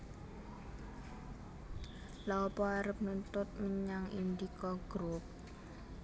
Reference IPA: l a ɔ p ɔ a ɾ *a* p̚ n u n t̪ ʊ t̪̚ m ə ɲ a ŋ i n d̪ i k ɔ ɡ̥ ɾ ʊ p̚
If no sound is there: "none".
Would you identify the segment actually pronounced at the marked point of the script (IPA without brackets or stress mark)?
ə